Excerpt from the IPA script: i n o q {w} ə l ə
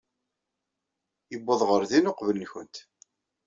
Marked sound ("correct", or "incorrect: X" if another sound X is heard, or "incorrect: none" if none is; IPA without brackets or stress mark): incorrect: v